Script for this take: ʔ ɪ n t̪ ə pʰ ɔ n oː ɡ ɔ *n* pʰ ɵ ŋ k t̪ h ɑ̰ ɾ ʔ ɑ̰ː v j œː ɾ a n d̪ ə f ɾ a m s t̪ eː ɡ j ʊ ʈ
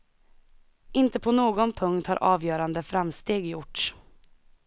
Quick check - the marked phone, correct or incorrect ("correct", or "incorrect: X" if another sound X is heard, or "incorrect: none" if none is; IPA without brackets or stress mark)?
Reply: correct